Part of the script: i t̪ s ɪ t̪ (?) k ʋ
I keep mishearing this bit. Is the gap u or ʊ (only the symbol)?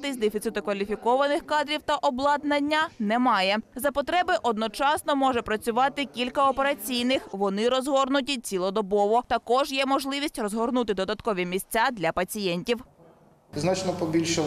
ʊ